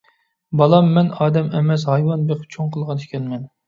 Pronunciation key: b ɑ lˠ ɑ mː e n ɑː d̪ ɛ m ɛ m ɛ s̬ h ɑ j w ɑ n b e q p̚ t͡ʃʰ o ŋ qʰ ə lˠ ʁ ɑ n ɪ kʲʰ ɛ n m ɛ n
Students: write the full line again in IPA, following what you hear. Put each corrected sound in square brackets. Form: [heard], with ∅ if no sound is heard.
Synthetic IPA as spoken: b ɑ lˠ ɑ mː [ɛ] n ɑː d̪ ɛ m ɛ m ɛ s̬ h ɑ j w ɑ n b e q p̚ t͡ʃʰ o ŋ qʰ ə lˠ ʁ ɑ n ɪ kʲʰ ɛ n m ɛ n